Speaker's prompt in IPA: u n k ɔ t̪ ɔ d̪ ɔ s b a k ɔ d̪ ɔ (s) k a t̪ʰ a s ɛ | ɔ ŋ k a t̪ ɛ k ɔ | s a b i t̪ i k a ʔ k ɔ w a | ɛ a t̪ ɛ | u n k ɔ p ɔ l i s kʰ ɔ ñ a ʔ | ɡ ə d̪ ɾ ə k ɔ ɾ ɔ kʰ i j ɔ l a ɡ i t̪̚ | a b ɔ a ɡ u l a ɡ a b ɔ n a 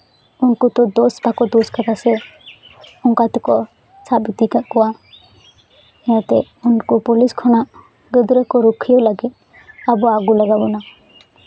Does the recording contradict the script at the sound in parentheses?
no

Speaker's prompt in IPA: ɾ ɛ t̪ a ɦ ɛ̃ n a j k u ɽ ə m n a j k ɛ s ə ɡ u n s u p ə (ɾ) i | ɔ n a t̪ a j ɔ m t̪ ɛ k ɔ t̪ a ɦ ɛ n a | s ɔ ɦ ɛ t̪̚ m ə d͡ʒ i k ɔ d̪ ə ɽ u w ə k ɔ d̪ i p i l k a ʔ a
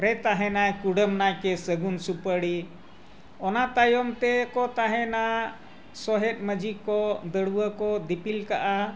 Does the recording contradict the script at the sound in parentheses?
yes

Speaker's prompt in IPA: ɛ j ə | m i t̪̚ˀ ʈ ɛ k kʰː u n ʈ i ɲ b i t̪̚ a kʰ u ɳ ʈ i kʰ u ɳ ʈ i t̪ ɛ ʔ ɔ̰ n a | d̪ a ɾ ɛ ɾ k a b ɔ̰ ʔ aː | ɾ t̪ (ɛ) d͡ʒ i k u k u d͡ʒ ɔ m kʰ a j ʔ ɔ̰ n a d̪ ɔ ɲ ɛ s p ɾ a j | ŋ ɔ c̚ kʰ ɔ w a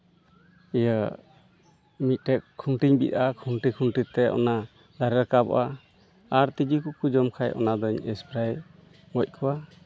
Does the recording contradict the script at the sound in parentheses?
yes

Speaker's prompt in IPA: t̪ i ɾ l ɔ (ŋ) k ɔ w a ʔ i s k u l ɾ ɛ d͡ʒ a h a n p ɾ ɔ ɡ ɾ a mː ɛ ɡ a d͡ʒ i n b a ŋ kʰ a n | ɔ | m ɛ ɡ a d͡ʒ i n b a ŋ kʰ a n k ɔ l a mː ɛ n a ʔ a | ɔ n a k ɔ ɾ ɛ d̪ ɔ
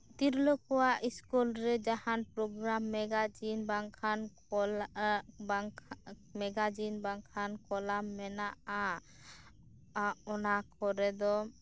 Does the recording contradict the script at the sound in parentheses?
yes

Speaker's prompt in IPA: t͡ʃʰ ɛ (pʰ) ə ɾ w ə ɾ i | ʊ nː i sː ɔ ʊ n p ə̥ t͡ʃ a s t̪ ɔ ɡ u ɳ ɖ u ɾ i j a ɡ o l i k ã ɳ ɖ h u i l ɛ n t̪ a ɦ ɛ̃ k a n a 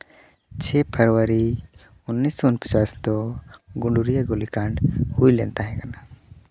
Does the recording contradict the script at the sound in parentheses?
no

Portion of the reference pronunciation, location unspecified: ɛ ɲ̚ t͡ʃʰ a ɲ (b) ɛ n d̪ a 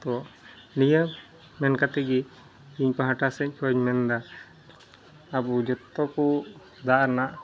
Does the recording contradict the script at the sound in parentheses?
yes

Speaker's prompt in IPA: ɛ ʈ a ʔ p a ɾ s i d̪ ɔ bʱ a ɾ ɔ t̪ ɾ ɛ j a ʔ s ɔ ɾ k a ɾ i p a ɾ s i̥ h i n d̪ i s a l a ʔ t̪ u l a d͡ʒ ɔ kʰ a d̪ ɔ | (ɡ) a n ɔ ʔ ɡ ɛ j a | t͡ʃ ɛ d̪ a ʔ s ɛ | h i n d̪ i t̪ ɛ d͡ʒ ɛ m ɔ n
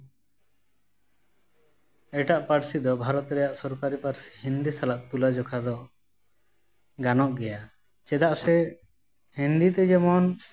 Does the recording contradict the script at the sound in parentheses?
no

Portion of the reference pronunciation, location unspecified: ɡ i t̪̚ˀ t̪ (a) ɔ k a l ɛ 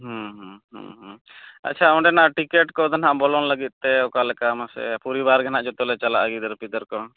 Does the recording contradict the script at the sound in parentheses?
yes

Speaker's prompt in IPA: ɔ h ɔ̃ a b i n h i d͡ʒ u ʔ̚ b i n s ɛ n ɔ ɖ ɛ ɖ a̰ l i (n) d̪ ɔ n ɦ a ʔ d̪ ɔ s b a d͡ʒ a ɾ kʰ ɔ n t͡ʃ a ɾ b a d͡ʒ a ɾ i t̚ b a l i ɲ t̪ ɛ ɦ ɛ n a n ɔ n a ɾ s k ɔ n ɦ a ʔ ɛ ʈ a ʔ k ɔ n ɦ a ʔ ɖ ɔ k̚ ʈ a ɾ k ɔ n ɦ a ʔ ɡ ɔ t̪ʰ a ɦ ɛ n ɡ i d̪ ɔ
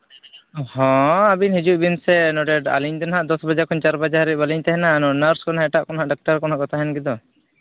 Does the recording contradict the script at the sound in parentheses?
yes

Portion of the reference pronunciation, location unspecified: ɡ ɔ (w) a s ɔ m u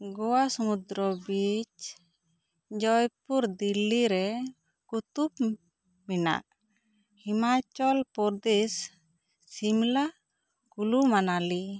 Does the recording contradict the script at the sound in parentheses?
no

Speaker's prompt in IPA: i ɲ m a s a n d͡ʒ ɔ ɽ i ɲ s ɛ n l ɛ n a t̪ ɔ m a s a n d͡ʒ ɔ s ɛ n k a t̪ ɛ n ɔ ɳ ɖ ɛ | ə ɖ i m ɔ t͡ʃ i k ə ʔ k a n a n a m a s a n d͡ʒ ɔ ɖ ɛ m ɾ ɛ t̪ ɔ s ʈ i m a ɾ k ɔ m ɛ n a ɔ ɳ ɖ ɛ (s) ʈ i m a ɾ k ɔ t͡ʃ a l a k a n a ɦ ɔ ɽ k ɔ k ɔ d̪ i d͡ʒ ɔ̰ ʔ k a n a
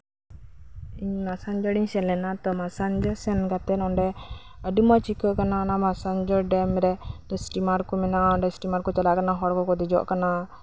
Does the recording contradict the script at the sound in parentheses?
no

